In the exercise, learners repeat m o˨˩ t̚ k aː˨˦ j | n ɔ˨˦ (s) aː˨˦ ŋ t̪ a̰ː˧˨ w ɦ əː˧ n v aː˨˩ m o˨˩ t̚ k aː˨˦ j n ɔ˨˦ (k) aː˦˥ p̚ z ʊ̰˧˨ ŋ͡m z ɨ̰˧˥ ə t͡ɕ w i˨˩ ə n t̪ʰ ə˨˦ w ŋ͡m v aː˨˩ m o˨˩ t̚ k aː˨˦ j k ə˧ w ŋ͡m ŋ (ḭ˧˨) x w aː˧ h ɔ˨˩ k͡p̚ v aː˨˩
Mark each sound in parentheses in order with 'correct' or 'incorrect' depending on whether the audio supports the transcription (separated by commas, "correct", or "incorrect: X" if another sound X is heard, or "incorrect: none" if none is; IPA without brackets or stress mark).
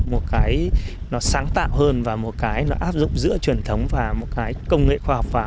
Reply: correct, incorrect: ʔ, incorrect: ḛ˧˨